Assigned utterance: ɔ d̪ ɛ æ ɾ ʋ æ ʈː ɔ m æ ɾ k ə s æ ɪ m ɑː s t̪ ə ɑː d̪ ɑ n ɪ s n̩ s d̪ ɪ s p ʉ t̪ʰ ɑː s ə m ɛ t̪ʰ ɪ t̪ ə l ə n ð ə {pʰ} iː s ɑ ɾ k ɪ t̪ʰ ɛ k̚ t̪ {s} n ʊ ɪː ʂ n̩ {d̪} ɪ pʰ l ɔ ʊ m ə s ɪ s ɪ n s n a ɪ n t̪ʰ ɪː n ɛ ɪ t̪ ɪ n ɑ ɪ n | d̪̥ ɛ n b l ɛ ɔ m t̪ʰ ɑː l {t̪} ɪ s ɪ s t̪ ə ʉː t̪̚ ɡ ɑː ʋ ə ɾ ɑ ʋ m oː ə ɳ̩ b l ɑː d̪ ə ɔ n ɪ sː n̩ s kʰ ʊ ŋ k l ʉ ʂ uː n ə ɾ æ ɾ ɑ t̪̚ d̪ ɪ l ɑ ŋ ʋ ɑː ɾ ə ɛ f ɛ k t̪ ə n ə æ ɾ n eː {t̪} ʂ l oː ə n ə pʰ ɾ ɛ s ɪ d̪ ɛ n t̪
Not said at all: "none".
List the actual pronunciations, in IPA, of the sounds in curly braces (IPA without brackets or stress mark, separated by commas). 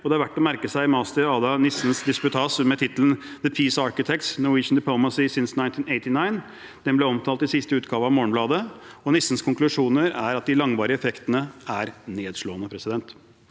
pʰ, s, d̪, t̪, d̪